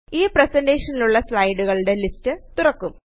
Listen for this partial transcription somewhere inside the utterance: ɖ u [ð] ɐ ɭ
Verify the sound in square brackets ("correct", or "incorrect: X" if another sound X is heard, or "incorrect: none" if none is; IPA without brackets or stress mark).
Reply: incorrect: ɣ